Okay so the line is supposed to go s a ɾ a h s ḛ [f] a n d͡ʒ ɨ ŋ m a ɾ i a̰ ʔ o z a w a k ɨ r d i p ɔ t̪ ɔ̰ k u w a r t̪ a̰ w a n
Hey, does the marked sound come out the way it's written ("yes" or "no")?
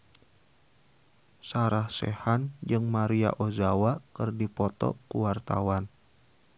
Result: no